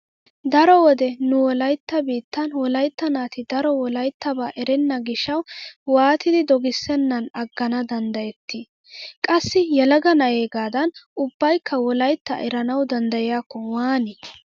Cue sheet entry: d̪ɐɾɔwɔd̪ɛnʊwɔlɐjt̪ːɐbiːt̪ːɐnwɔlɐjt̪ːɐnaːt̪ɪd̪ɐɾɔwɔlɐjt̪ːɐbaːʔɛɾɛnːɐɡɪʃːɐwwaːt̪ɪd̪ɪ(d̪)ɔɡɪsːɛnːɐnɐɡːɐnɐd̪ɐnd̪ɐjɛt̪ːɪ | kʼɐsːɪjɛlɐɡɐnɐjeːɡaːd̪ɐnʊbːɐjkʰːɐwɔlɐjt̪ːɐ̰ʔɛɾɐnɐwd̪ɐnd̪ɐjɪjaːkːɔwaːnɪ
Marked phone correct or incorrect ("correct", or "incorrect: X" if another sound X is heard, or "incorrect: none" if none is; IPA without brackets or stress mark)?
correct